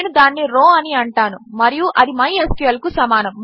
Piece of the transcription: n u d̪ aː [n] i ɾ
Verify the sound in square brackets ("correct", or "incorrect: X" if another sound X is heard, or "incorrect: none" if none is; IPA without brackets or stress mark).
incorrect: nː